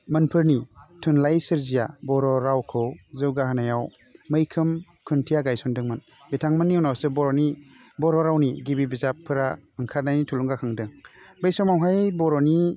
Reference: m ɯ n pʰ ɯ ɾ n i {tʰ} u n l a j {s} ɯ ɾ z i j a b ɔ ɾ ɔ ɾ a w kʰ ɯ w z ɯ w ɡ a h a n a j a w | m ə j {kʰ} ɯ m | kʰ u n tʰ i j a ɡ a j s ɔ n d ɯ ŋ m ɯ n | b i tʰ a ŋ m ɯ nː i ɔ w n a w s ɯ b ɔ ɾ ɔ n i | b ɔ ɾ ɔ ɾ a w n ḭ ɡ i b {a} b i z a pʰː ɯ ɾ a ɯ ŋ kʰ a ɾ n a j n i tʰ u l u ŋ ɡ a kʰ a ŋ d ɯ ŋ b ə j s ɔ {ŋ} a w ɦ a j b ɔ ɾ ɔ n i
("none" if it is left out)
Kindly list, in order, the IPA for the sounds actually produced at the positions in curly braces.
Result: tʰ, s, kʰ, i, m

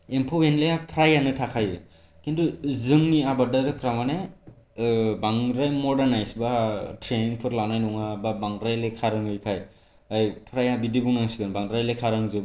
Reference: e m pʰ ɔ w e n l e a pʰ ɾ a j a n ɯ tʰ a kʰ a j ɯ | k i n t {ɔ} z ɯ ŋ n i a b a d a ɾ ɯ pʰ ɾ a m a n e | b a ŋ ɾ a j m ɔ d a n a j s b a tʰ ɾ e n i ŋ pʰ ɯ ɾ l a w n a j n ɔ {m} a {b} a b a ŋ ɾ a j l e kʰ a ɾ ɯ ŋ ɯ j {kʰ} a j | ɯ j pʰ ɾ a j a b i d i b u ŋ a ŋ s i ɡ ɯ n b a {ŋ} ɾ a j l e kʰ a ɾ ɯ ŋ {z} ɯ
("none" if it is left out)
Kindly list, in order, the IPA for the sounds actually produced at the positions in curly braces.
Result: u, ŋ, b, kʰ, ŋ, z

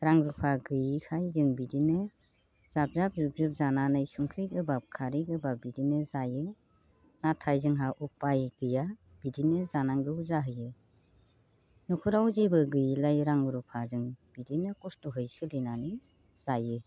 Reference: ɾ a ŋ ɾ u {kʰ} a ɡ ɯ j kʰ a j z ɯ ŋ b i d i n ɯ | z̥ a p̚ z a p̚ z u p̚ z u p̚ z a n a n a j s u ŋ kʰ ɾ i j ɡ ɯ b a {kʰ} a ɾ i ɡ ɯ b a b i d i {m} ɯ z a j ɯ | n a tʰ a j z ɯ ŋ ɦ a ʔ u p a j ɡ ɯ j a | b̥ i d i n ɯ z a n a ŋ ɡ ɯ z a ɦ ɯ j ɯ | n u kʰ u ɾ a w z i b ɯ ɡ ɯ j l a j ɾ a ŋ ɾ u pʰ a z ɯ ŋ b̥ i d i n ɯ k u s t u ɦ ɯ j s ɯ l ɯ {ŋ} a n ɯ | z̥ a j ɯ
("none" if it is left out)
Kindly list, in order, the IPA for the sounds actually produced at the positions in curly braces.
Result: pʰ, kʰ, n, n

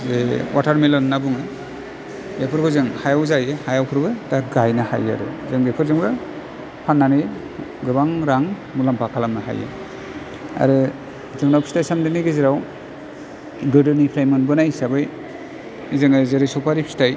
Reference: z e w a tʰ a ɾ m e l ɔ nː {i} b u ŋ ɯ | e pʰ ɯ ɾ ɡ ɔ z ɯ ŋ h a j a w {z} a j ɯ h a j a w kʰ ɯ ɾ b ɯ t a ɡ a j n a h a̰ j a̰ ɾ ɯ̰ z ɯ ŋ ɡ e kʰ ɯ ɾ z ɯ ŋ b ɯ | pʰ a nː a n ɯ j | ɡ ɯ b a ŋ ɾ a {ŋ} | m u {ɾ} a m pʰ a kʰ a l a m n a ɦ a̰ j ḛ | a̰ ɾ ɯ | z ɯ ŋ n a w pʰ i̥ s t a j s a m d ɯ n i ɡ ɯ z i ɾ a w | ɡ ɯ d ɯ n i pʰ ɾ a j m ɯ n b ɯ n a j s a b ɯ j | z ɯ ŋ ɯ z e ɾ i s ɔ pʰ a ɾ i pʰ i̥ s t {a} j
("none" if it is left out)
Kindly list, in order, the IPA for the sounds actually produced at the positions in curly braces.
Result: a, z, ŋ, l, a

